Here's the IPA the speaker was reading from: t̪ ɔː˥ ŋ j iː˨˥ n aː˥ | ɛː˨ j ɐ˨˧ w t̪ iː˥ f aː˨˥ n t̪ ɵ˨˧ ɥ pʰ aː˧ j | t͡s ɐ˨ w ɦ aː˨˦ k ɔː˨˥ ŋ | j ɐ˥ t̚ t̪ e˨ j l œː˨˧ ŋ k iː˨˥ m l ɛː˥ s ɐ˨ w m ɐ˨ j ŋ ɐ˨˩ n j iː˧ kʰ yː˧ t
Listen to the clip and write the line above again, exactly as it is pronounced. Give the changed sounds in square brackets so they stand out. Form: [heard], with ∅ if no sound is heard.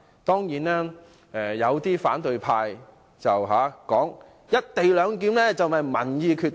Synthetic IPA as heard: t̪ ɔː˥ ŋ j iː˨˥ n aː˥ | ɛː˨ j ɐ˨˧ w t̪ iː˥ f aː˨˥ n t̪ ɵ˨˧ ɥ pʰ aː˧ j | t͡s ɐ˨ w ɦ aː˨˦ k ɔː˨˥ ŋ | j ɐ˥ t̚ t̪ e˨ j l œː˨˧ ŋ k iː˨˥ m l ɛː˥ [t͡s] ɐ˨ w m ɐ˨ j [m] ɐ˨˩ n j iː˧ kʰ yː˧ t